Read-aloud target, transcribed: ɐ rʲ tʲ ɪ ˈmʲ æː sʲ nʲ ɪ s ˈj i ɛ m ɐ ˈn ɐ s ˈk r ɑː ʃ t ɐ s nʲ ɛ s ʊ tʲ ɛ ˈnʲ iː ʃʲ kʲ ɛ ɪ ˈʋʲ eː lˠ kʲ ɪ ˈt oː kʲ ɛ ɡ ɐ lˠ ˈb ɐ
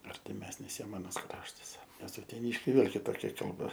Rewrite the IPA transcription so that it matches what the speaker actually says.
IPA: ɐ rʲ tʲ ɪ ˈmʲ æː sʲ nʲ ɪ s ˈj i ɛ m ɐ ˈn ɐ s ˈk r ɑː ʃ t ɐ s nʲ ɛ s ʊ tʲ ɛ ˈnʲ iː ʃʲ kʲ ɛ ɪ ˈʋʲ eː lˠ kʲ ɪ ˈt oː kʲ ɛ k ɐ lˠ ˈb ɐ